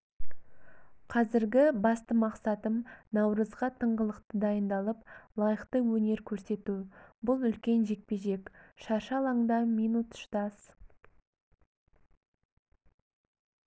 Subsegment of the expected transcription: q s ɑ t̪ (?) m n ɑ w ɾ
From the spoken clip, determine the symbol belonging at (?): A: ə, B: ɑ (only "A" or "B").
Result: A